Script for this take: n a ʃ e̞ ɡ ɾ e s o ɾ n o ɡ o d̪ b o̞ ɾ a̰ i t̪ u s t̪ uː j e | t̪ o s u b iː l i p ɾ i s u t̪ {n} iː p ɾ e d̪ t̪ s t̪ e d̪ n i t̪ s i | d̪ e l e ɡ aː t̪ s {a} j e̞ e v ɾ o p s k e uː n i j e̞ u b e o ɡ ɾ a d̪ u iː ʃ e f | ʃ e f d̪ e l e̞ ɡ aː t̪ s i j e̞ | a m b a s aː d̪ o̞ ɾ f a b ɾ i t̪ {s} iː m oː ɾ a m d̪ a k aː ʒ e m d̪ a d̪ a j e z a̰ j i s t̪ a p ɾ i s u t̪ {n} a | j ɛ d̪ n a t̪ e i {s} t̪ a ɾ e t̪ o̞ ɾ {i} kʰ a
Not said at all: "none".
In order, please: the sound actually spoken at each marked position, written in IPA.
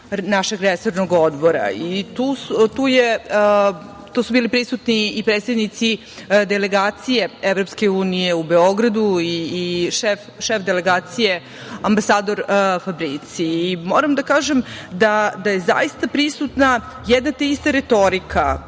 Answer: n, i, s, n, s, i

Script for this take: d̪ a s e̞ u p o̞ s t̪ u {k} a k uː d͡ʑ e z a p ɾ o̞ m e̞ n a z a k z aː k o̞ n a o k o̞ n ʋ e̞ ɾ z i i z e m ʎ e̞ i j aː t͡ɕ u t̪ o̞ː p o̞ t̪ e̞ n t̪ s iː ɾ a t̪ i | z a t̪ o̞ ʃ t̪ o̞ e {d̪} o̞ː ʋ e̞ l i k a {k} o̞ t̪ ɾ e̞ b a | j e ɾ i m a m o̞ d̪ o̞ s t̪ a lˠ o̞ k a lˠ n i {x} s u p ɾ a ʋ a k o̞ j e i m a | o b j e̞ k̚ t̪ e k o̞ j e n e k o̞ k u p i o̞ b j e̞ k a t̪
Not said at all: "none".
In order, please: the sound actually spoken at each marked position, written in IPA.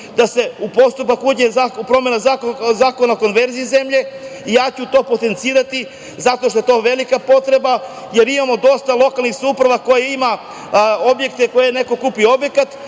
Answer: p, t̪, p, x

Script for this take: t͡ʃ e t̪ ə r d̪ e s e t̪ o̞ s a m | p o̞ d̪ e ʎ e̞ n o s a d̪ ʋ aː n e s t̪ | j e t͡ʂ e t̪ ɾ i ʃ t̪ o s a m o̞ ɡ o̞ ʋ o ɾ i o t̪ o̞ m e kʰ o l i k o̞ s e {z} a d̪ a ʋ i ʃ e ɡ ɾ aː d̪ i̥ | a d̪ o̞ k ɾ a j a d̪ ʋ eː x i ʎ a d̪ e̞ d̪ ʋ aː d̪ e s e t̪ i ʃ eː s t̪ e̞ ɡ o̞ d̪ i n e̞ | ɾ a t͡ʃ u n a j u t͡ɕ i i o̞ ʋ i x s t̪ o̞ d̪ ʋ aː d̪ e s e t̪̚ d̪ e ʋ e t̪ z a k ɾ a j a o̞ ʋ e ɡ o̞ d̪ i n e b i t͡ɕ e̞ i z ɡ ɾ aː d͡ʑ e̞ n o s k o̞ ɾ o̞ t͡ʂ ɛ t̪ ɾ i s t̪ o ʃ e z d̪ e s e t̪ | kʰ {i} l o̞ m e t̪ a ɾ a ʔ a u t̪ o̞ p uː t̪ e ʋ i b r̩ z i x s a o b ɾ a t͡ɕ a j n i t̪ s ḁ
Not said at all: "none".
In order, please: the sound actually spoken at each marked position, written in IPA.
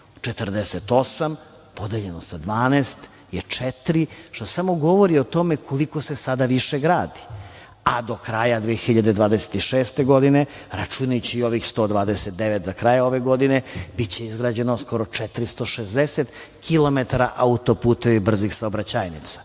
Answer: s, i

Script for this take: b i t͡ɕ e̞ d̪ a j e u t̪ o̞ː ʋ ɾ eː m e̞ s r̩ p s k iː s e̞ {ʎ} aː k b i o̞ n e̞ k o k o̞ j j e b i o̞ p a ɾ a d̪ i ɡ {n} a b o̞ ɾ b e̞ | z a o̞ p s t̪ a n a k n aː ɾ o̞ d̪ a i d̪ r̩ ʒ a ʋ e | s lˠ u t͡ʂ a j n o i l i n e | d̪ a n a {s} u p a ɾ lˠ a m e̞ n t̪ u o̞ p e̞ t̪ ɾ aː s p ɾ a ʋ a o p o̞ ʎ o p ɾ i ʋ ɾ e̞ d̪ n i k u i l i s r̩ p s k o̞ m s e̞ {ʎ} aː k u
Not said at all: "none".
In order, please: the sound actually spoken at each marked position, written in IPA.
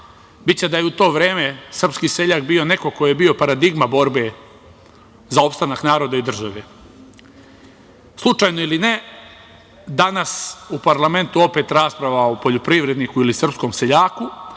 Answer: ʎ, m, s, ʎ

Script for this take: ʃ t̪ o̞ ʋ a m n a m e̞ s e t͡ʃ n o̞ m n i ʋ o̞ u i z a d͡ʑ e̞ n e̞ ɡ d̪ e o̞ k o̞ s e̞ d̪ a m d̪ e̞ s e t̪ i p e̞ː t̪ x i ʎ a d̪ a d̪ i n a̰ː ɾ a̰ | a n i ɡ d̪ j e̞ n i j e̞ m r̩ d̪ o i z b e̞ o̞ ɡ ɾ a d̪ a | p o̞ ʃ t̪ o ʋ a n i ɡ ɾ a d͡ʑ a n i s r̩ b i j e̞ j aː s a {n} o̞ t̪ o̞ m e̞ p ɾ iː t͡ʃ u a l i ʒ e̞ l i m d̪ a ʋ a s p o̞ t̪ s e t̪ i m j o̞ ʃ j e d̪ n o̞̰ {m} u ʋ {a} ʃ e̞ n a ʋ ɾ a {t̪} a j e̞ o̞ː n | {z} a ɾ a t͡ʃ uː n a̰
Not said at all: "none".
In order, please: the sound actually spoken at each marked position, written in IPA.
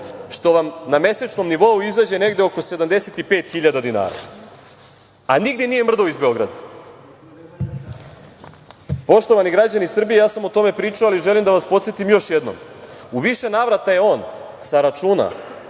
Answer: m, m, i, t̪, s

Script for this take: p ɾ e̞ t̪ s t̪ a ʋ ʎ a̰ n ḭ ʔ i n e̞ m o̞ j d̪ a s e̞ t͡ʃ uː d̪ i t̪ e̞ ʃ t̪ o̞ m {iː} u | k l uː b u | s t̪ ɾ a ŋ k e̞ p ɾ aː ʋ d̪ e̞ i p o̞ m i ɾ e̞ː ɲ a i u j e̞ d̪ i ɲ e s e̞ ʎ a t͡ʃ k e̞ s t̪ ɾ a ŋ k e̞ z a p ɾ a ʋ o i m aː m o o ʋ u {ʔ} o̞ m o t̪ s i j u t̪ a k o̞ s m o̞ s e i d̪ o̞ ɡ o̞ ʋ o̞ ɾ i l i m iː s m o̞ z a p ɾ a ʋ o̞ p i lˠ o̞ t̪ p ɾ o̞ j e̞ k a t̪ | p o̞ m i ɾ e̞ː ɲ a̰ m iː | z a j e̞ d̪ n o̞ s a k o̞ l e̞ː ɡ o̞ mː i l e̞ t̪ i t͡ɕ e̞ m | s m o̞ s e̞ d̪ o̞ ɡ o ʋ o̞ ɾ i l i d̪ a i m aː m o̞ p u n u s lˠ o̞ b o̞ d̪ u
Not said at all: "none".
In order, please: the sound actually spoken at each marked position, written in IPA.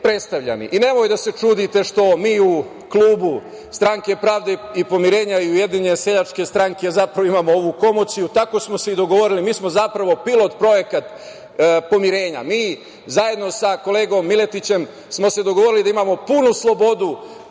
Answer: iː, k

